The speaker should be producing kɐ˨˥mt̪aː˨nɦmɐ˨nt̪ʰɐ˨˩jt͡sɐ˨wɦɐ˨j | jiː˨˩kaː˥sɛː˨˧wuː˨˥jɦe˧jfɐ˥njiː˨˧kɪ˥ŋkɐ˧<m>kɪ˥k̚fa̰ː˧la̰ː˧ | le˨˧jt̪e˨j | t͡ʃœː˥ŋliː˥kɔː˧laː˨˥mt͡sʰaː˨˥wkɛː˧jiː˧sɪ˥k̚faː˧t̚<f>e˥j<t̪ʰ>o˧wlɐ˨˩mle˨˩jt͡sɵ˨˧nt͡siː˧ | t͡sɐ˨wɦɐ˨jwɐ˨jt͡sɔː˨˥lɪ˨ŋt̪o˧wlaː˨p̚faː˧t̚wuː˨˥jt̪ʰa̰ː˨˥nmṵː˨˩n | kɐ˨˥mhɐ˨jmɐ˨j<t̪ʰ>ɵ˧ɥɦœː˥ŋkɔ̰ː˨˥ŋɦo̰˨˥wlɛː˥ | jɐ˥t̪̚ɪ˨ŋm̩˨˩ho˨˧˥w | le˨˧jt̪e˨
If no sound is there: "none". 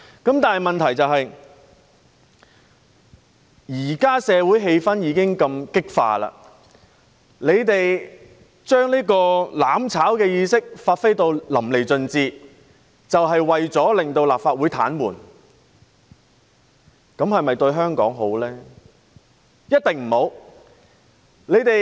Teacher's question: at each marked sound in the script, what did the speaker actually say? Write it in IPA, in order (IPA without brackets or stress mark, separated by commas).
m, f, t̪, t̪